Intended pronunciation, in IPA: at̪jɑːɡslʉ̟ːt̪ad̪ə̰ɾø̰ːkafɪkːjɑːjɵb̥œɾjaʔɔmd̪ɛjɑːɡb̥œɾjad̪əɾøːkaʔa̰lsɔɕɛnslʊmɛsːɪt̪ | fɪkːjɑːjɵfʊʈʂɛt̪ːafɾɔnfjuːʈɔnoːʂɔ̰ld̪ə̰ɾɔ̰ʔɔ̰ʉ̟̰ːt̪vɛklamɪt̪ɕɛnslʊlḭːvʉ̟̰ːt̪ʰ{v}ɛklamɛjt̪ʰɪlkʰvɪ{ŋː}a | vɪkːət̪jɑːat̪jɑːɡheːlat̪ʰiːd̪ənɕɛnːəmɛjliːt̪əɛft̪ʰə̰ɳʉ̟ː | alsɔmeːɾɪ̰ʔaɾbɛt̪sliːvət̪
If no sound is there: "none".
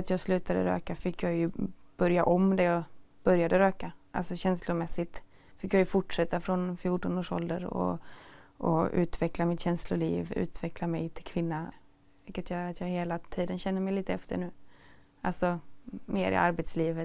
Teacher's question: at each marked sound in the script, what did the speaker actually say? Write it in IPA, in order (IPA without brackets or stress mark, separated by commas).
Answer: v, nː